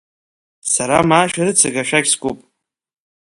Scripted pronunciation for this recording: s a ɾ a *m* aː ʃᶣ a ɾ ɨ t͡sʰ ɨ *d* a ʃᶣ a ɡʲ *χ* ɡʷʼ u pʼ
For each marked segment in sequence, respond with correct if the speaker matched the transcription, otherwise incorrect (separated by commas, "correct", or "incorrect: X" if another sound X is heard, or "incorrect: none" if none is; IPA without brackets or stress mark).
correct, incorrect: ɡ, incorrect: s